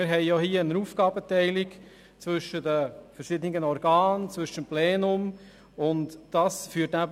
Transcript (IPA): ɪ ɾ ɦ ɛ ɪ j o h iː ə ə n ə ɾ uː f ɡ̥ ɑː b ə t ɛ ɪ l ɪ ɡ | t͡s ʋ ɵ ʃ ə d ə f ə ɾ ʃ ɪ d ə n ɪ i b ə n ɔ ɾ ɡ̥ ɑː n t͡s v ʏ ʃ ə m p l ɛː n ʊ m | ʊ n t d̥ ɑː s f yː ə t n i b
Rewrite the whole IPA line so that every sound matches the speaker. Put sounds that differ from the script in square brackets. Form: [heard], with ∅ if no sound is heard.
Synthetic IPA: ɪ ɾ ɦ ɛ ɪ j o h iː ə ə n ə ɾ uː f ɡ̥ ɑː b ə t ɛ ɪ l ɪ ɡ | t͡s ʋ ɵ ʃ ə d ə f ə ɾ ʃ ɪ d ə n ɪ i [ɡ] ə n ɔ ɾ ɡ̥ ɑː n t͡s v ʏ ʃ ə m p l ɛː n ʊ m | ʊ n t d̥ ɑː s f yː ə t n [æ] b